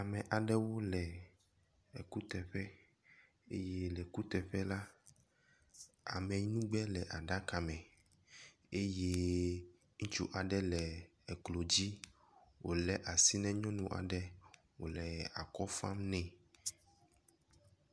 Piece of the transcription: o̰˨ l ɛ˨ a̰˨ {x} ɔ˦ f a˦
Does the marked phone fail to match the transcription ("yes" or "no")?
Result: yes